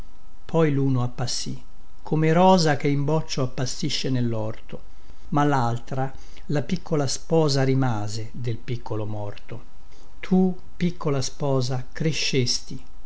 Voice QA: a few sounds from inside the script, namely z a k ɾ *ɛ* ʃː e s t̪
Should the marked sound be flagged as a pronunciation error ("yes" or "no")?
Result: yes